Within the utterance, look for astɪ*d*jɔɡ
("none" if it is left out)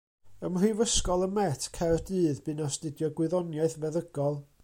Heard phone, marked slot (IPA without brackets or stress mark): d